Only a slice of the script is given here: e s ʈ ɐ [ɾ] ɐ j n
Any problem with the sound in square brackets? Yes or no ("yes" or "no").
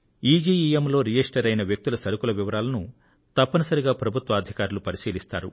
no